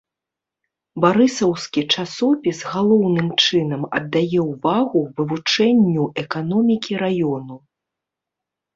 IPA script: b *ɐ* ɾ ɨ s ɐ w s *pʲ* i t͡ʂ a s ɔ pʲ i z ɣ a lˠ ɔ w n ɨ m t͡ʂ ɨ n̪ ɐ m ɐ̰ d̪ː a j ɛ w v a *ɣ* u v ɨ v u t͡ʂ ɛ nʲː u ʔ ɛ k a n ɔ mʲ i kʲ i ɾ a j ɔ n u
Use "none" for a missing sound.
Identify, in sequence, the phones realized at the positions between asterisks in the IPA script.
a, kʲ, ɣ

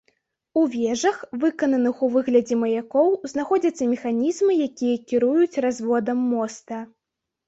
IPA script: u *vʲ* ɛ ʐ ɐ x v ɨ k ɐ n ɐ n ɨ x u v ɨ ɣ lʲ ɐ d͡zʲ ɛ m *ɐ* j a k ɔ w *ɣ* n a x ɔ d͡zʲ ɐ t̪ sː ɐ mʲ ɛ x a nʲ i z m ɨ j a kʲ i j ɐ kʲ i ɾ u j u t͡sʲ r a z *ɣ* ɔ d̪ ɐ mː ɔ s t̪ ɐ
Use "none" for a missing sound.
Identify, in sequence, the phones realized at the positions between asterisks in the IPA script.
vʲ, ɐ, z, v

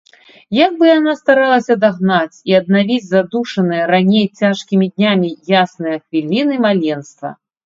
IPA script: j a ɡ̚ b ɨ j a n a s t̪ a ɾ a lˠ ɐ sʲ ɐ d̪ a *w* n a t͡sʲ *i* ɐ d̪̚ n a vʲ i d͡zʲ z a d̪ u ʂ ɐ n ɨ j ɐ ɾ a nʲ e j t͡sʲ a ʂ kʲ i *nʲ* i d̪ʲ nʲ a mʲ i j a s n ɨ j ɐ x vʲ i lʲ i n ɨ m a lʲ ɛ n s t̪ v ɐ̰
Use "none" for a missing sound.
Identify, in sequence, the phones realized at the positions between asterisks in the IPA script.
ɣ, i, mʲ

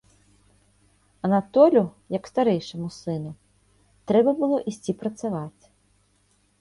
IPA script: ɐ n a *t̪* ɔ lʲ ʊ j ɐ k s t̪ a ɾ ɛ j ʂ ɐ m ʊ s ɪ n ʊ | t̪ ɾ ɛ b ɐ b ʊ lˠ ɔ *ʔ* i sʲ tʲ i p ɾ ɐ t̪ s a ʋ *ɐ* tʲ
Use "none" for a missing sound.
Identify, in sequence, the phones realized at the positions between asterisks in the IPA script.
t̪, ʔ, a

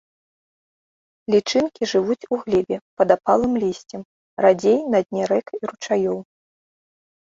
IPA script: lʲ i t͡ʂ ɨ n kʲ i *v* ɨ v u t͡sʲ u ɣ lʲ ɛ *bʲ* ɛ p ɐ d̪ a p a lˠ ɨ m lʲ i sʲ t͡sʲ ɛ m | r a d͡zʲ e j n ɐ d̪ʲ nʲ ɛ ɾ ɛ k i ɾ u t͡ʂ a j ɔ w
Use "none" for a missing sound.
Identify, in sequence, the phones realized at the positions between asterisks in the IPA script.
ʐ, bʲ

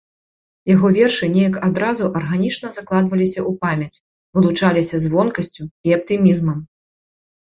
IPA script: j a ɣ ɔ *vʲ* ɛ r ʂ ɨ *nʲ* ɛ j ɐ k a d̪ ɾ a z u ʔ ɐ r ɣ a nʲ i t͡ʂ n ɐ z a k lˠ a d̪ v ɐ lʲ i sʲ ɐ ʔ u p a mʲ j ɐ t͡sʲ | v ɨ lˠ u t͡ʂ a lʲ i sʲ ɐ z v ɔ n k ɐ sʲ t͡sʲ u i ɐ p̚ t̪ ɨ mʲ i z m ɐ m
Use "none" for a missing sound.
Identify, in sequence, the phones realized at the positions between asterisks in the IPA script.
vʲ, nʲ

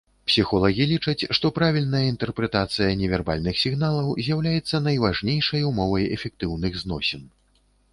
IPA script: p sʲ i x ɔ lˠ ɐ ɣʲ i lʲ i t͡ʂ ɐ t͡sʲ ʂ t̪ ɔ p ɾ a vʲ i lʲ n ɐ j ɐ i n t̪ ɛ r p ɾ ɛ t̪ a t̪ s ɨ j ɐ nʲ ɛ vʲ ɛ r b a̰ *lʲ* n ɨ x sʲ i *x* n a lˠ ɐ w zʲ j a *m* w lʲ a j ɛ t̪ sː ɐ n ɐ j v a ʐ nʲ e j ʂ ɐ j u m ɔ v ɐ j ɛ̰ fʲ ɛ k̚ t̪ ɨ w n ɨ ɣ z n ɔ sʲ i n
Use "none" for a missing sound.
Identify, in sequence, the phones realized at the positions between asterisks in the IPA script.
lʲ, ɣ, none

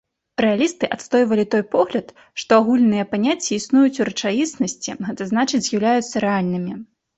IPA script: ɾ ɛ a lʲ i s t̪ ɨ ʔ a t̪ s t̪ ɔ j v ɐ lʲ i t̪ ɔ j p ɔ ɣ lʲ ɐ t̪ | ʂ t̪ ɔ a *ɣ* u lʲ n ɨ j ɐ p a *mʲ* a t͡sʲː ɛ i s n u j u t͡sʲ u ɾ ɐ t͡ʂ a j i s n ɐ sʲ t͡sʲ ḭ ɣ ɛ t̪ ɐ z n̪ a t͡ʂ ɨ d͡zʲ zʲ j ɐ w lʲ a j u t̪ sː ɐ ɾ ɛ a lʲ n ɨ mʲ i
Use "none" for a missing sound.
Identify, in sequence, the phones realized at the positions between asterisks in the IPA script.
ɣ, nʲ

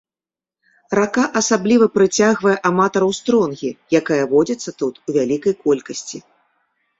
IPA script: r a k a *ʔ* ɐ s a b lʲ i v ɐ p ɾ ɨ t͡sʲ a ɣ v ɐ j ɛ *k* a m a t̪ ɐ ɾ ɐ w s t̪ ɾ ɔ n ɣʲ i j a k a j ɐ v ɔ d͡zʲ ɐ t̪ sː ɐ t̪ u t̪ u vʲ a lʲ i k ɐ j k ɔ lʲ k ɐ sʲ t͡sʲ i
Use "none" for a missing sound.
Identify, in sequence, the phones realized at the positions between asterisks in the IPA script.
ʔ, ʔ

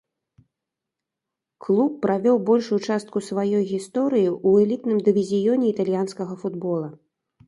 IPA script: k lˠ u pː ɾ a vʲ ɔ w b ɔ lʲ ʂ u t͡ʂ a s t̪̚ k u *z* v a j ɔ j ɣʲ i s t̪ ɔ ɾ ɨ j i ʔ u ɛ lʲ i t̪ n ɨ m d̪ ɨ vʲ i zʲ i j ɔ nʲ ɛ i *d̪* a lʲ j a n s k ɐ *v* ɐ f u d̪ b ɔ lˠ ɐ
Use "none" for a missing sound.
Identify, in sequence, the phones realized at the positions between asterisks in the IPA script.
s, t̪, ɣ

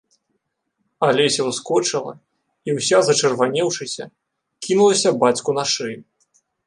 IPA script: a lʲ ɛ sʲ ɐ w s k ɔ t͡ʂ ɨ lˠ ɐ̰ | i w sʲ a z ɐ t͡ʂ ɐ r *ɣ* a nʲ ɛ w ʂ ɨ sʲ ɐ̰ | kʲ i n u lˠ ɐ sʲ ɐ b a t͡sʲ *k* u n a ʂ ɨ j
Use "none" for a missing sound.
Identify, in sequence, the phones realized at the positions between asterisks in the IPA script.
v, k

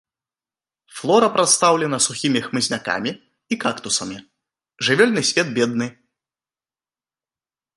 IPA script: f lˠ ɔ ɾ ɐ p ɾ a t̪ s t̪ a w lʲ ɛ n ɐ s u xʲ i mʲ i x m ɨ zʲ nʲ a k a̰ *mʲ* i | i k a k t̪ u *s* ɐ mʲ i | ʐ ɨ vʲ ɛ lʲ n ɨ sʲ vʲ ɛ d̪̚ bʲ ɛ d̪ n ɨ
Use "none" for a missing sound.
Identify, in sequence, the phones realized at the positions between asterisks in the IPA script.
mʲ, s

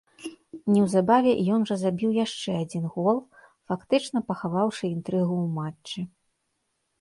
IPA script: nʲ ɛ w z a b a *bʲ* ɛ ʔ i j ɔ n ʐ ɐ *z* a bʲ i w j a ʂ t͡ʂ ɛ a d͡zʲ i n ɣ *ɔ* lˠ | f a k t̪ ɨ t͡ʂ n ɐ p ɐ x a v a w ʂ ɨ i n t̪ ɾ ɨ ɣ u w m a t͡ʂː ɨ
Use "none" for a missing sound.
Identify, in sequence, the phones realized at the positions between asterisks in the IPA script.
vʲ, z, ɔ

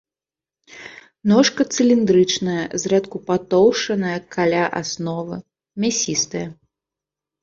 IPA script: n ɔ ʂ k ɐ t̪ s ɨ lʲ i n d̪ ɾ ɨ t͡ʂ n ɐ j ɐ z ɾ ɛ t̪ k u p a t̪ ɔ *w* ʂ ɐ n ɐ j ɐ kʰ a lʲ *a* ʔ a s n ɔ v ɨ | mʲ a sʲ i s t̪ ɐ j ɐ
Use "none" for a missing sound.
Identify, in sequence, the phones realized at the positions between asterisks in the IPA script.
w, a

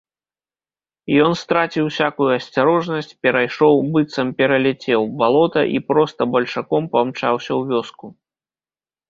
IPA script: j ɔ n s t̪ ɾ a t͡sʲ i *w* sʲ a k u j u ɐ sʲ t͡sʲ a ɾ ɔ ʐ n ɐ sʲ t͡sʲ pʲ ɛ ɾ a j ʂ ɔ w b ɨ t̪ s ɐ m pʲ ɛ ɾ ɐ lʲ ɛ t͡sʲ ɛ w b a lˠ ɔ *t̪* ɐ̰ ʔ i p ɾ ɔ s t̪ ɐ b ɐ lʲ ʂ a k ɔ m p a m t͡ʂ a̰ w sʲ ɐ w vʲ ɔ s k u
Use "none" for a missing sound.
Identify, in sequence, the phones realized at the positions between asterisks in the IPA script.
w, t̪

